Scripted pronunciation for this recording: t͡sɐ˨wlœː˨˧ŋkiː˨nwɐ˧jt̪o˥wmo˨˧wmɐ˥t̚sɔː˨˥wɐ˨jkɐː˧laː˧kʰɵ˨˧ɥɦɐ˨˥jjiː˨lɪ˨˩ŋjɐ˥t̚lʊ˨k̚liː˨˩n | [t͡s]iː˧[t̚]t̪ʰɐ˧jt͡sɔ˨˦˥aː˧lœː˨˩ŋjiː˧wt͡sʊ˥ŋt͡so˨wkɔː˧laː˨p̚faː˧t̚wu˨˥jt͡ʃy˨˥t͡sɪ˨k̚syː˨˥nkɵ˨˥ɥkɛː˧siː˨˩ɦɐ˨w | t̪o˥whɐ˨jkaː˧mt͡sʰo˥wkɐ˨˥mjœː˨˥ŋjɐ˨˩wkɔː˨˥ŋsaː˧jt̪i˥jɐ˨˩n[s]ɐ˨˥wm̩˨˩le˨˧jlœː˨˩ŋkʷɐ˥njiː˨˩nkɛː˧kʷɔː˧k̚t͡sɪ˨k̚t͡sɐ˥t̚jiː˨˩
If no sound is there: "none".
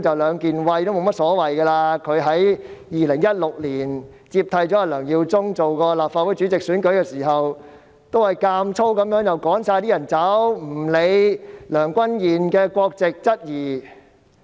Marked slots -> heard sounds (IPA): t͡s, p̚, t͡s

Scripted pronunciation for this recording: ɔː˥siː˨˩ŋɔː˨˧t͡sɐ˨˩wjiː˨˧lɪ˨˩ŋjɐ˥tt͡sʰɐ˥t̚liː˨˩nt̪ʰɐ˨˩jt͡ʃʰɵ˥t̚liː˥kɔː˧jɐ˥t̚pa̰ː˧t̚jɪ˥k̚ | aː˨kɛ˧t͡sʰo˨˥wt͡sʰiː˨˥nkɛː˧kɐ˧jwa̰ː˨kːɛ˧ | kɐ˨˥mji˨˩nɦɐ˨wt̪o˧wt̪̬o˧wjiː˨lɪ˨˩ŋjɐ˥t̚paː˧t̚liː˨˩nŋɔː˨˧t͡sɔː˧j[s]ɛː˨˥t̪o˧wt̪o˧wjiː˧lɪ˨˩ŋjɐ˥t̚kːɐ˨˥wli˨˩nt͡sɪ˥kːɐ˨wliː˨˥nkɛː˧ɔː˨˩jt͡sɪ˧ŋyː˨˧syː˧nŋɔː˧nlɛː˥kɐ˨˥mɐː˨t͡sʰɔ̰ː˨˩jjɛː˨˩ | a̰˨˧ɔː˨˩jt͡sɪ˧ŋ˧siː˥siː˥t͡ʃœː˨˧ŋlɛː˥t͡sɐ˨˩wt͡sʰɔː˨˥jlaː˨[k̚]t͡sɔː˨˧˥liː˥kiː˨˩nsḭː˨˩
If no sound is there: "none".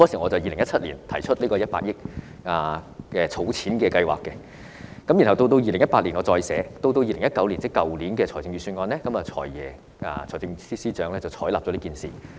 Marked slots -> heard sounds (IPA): s, p̚

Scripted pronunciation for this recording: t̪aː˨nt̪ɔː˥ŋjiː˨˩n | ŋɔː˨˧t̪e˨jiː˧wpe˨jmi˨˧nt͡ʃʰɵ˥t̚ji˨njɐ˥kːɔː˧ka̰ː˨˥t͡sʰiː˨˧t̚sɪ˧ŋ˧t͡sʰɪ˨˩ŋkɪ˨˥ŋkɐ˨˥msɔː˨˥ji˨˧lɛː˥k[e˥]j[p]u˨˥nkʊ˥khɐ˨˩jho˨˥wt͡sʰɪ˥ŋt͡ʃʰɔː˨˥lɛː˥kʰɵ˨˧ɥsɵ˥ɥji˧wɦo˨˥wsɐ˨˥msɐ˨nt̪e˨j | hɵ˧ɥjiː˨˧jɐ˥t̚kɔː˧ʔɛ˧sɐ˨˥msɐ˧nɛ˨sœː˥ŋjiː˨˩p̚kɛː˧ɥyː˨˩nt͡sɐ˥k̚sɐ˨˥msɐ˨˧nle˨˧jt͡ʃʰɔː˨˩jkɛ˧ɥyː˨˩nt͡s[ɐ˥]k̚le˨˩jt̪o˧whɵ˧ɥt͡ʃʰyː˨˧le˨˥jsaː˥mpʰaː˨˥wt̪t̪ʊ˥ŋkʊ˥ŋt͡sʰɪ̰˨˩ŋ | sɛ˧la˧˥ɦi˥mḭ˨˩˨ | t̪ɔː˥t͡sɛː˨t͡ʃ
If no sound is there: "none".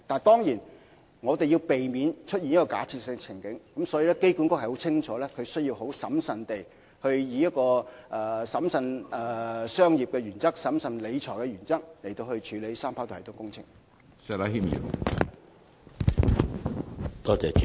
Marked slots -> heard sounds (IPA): e˥, k, ɐ˥

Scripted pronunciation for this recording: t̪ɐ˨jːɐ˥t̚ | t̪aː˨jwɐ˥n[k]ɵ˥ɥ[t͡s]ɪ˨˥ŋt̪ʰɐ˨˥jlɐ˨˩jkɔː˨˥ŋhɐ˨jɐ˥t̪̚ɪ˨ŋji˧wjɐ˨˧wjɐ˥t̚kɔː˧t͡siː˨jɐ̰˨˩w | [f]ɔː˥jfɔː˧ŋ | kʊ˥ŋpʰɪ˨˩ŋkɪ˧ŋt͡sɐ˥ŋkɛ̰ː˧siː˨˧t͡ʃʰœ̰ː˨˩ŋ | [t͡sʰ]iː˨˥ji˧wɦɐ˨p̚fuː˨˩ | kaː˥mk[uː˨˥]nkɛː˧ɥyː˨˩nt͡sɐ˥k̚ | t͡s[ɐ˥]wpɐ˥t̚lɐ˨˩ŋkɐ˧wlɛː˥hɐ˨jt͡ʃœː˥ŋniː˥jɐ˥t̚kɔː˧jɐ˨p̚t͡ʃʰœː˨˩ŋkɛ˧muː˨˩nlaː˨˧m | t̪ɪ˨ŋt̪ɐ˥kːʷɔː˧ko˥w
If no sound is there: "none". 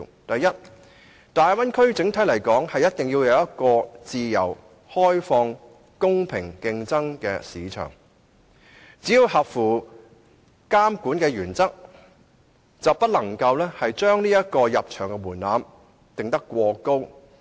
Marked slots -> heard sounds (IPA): kʰ, t͡s, h, t͡s, uː˨˥, ɐ˨

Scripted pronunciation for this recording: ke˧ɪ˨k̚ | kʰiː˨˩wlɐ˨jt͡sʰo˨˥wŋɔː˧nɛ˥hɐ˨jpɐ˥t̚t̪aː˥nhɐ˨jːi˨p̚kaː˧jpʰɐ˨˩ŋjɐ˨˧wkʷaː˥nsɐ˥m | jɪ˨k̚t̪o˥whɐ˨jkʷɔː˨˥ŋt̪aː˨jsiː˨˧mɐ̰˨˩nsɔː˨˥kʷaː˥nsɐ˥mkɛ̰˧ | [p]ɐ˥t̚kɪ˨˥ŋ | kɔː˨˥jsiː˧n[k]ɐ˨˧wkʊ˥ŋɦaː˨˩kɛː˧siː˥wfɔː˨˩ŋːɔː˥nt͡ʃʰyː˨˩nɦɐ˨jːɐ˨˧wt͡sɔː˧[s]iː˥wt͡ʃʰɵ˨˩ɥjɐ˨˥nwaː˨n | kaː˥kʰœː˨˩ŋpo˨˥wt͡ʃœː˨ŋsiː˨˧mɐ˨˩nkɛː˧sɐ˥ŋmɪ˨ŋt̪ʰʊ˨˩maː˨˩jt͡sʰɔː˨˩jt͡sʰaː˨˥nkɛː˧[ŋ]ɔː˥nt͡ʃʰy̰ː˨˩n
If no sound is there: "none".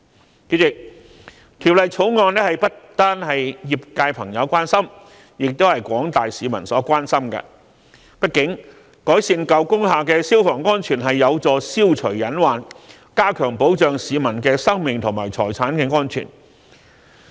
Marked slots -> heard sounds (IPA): p, k, s, ŋ

